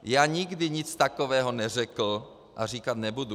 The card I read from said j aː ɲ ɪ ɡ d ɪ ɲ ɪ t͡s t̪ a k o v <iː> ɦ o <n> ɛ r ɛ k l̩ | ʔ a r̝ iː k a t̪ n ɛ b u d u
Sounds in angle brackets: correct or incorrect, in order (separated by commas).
incorrect, correct